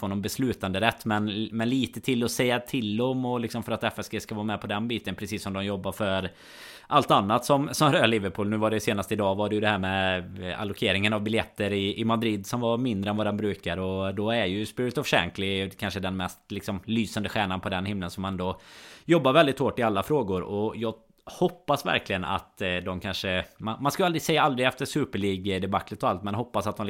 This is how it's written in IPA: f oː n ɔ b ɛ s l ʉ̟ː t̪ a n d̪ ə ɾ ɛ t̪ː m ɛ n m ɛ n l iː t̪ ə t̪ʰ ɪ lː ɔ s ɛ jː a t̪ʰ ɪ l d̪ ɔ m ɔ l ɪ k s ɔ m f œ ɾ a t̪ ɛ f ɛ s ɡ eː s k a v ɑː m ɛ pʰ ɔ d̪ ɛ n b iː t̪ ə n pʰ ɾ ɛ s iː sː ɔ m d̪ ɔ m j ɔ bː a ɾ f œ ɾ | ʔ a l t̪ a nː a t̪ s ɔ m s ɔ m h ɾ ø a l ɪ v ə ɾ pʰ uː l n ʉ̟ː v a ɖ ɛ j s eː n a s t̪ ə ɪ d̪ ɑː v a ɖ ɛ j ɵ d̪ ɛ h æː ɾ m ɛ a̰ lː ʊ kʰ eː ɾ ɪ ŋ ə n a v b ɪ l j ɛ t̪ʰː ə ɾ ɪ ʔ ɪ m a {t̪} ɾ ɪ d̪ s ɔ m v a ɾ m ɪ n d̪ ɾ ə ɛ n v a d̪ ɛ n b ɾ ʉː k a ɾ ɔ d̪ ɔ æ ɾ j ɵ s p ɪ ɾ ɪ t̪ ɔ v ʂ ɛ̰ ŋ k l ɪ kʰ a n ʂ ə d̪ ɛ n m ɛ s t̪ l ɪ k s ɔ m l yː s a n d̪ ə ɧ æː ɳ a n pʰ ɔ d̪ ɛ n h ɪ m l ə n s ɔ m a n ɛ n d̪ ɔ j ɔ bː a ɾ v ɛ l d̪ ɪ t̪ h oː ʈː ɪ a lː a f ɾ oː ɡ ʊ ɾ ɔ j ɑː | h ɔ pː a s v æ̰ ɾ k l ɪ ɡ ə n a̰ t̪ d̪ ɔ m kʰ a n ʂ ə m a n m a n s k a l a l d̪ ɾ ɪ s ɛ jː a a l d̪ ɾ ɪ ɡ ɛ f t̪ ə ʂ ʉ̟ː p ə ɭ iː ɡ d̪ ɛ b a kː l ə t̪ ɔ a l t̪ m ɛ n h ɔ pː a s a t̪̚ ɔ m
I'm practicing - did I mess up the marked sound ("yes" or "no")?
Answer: yes